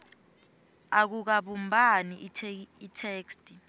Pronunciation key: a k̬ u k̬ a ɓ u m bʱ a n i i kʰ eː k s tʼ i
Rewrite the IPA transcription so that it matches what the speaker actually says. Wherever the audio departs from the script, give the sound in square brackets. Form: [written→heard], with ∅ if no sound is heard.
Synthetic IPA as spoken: a k̬ u k̬ a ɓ u m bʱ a n i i [kʰ→tʰ] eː k s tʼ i